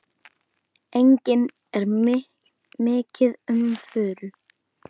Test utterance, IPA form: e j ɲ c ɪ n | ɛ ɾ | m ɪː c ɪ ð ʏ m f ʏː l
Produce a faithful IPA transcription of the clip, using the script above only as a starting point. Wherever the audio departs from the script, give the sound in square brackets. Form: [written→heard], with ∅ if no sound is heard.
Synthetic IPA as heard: e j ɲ c ɪ n | ɛ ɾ | m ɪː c ɪ ð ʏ m f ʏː l